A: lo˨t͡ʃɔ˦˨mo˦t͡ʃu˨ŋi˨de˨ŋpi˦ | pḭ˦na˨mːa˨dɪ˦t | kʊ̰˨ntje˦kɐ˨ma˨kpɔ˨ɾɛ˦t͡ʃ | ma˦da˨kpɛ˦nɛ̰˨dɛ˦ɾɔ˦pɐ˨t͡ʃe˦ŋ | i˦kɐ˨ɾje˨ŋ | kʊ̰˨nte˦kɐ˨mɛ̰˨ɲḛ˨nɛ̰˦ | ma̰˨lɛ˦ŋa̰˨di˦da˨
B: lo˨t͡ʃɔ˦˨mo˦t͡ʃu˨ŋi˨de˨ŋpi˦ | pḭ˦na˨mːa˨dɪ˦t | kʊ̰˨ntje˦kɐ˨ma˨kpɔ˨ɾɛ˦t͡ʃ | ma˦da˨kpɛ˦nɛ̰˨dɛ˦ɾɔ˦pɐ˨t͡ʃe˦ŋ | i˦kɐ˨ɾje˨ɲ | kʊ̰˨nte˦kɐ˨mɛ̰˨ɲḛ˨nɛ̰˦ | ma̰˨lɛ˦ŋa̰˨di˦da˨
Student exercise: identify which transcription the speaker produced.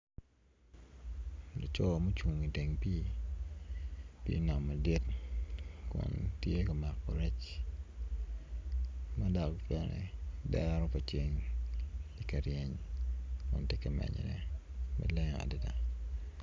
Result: B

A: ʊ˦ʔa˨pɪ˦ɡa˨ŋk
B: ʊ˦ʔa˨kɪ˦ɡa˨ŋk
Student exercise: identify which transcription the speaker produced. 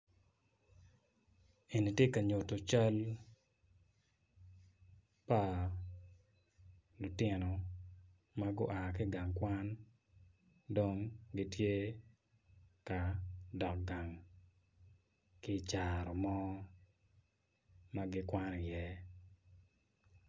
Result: B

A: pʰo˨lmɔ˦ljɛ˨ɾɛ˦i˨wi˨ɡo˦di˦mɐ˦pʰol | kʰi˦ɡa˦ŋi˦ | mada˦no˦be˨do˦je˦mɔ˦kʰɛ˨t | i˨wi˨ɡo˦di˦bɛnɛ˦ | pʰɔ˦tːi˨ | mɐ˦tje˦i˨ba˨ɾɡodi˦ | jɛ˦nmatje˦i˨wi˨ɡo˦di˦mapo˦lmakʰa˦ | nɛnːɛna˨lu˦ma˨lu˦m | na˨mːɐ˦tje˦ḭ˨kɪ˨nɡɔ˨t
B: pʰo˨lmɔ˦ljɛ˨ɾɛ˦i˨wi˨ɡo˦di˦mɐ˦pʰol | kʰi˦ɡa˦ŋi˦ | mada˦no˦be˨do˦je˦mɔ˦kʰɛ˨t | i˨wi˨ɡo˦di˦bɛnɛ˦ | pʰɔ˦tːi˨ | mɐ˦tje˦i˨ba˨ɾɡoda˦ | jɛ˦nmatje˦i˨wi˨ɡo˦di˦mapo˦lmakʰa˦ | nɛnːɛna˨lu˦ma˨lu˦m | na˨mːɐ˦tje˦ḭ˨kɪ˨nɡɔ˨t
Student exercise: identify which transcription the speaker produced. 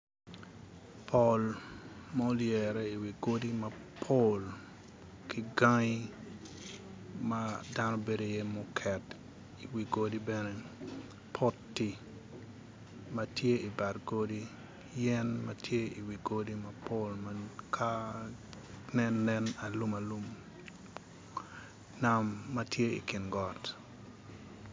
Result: A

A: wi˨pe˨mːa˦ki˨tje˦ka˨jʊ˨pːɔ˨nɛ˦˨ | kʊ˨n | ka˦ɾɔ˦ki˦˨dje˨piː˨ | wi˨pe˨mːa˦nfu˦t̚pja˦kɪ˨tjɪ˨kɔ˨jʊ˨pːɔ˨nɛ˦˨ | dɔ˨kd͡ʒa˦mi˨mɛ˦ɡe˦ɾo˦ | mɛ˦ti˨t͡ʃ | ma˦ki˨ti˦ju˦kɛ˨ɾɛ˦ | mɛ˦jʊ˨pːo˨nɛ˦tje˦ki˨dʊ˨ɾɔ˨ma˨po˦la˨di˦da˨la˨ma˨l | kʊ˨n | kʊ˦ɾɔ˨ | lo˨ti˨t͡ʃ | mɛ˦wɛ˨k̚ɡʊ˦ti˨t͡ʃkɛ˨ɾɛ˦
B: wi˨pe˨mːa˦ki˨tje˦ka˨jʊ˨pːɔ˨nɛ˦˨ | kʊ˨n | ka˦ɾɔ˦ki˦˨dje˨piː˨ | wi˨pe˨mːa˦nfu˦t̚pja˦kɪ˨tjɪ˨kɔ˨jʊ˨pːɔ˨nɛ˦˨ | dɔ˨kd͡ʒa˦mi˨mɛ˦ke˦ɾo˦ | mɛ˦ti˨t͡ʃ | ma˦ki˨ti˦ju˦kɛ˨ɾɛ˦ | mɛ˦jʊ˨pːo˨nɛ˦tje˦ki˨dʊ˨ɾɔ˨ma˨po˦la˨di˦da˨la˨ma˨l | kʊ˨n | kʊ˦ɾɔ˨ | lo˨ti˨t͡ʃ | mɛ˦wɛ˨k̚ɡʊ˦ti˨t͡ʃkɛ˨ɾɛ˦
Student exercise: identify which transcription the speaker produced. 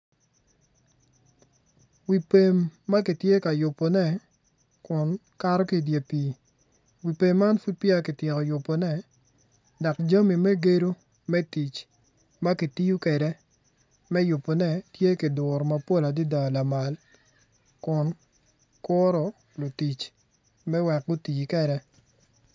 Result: A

